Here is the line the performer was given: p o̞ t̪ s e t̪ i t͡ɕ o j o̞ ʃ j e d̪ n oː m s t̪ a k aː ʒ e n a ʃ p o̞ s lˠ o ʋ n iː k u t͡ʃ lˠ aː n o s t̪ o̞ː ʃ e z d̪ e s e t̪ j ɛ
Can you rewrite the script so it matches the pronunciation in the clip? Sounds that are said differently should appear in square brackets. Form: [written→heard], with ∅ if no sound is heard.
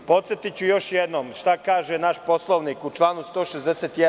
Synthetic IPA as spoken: p o̞ t̪ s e t̪ i t͡ɕ [o→u] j o̞ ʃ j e d̪ n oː m [s→ʃ] t̪ a k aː ʒ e n a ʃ p o̞ s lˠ o ʋ n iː k u t͡ʃ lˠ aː n [o→u] s t̪ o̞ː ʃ e z d̪ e s e t̪ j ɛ